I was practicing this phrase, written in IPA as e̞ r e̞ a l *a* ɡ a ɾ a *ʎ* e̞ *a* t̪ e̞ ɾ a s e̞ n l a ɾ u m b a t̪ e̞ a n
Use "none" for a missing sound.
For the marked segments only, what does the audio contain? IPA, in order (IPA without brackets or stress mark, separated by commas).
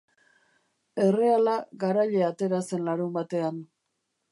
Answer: a, ʎ, a